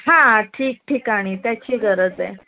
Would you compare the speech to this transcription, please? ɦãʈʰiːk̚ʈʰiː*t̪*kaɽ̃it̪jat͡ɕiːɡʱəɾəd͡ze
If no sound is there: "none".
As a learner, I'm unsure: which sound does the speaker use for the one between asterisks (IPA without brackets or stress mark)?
none